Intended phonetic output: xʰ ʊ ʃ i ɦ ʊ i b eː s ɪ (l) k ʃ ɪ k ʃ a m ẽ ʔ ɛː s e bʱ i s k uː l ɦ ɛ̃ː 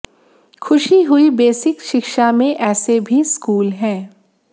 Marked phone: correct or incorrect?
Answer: incorrect: none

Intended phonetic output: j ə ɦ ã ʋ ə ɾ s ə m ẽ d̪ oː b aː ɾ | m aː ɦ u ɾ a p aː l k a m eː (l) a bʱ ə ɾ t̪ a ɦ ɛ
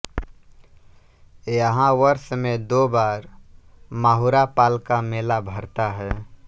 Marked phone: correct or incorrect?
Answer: correct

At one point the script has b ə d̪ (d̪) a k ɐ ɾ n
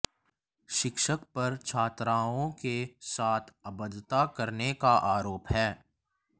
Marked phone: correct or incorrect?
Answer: incorrect: t̪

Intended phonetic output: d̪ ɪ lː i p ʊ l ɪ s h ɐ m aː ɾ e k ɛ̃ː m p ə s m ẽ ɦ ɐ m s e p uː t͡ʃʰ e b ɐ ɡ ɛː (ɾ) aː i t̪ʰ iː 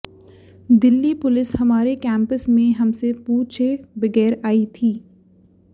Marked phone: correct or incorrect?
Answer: correct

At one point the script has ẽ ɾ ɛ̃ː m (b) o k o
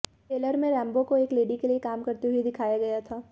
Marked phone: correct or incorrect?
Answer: correct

